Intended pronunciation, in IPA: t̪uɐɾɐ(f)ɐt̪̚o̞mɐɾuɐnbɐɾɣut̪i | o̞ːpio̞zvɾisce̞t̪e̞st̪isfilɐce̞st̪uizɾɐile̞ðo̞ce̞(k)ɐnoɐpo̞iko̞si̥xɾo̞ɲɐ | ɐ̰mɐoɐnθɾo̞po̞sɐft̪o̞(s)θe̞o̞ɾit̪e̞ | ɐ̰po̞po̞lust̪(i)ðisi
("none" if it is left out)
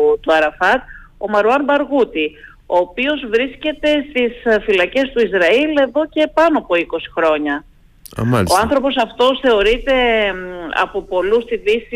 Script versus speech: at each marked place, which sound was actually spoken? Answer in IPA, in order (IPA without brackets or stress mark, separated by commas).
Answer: f, p, s, i